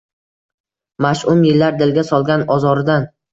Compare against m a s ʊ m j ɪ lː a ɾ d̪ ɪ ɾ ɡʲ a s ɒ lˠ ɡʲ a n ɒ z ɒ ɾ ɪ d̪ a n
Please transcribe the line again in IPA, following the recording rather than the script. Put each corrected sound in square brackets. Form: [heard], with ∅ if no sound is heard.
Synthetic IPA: m a [ʃ] ʊ m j ɪ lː a ɾ d̪ ɪ [l] ɡʲ a s ɒ lˠ ɡʲ a n ɒ z ɒ ɾ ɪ d̪ a n